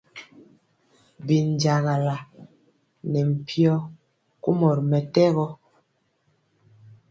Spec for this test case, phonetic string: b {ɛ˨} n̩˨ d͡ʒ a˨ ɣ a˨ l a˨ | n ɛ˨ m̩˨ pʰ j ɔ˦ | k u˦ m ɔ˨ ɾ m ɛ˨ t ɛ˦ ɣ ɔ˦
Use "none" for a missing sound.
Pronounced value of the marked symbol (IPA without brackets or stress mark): i˨